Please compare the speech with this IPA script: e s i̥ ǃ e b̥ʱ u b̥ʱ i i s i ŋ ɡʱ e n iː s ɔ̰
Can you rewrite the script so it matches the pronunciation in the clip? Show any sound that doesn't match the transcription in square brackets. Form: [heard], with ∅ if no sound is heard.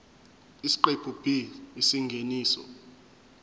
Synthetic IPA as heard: [i] s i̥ ǃ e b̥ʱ u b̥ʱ i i s i ŋ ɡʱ e n iː s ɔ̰